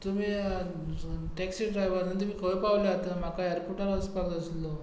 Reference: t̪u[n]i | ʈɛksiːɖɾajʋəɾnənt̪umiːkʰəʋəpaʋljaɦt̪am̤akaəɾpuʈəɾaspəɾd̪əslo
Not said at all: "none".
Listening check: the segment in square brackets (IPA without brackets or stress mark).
m